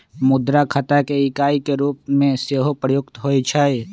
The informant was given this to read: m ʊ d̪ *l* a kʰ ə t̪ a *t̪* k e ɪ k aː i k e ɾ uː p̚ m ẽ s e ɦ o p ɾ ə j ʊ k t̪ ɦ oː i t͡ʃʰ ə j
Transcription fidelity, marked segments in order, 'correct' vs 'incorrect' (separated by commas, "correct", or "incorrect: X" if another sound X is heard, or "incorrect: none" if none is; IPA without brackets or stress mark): incorrect: ɾ, incorrect: none